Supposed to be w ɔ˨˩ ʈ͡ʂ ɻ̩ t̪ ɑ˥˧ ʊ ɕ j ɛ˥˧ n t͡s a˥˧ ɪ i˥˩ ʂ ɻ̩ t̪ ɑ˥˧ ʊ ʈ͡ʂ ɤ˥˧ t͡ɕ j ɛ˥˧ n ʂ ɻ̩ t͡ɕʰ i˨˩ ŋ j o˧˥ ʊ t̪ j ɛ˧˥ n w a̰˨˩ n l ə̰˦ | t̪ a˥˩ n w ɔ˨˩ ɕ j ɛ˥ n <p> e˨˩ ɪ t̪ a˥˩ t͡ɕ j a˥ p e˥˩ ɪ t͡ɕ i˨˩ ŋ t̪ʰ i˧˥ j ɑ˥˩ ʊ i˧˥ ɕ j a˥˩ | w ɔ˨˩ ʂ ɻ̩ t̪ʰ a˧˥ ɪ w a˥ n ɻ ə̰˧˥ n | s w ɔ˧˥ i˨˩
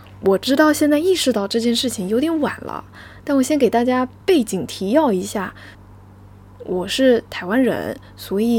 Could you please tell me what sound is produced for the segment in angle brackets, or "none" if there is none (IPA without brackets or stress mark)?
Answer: k